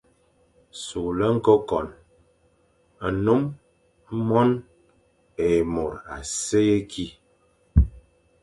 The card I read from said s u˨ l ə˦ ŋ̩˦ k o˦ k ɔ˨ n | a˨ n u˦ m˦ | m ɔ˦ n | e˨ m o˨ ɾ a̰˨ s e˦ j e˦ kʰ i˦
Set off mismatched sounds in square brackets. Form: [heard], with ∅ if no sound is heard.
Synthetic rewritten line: s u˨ l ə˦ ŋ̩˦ k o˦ k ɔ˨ n | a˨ n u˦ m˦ | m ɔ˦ n | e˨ m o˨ ɾ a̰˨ s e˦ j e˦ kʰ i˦